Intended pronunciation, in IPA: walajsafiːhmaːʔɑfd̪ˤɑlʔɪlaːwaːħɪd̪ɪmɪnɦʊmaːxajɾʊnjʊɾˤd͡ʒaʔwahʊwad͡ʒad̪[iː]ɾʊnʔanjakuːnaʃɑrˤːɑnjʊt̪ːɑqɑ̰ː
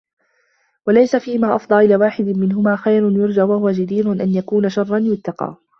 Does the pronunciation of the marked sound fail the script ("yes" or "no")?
no